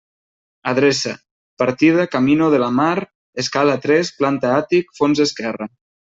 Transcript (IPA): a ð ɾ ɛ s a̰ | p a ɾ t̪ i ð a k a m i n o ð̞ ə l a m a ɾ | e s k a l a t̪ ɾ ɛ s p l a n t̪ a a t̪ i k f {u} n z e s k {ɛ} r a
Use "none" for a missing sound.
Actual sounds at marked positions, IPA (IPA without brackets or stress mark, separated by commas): o, ɛ